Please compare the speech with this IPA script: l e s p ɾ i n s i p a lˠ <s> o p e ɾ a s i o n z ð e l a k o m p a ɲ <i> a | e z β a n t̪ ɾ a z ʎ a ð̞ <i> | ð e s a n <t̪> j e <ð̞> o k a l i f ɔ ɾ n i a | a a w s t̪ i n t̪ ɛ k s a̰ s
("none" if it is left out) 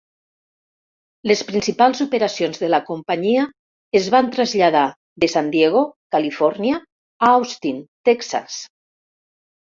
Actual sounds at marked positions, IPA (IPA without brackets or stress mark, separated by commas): z, i, a, d̪, ɣ̞